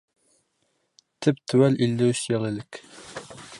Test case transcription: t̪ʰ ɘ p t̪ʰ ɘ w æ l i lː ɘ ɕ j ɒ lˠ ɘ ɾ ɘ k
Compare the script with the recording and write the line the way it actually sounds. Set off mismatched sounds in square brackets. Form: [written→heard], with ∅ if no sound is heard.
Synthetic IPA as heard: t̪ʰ ɘ p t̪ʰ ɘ w æ l i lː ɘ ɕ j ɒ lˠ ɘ [ɾ→l] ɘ k